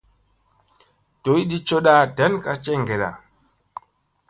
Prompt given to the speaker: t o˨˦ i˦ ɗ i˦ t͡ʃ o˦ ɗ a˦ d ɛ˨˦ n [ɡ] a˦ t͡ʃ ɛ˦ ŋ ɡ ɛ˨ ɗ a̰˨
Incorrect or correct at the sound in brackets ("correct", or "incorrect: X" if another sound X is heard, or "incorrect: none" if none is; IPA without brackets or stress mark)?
incorrect: k